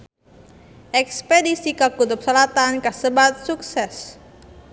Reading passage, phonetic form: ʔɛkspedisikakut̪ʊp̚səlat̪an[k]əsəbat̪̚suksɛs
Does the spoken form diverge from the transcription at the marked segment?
no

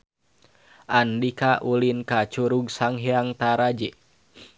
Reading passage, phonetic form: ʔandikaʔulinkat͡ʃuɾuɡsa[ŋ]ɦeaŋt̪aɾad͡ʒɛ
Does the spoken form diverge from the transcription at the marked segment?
no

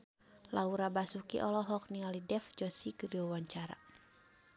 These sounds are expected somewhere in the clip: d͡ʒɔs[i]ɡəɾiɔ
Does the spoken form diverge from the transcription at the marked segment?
no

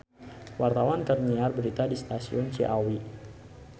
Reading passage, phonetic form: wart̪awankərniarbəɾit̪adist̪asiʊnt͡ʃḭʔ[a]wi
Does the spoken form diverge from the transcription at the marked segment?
no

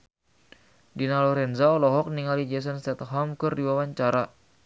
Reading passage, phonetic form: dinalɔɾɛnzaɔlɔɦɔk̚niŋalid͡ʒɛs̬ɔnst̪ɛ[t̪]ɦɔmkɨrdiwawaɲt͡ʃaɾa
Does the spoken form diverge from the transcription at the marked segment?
no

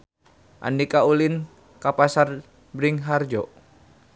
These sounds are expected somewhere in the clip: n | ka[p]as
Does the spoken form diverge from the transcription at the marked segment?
no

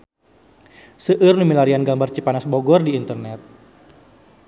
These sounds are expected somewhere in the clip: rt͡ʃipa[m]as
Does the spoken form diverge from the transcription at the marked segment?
yes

